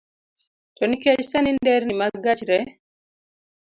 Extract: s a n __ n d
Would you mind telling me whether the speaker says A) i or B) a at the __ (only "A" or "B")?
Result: A